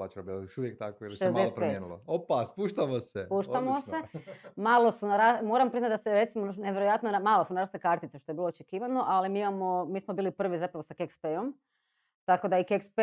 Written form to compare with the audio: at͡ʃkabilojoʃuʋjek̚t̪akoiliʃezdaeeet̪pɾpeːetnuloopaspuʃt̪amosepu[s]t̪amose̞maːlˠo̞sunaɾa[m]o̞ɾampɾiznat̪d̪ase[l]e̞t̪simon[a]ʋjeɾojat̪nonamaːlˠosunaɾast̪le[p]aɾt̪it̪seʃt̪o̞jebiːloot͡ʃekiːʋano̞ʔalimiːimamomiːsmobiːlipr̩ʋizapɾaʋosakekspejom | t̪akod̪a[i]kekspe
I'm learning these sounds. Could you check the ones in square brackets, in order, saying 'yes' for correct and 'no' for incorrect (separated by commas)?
no, yes, no, no, no, yes